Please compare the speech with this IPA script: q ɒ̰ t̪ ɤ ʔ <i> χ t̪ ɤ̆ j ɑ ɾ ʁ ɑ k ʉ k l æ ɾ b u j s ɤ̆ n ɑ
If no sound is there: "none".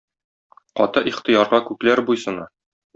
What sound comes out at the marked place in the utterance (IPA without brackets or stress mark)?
i